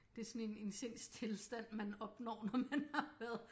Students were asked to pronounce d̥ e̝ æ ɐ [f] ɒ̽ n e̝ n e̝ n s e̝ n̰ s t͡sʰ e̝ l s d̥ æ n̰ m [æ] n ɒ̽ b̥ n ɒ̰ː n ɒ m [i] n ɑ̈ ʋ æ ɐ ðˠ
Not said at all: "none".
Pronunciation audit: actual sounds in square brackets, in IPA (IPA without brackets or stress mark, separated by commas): s, æ, æ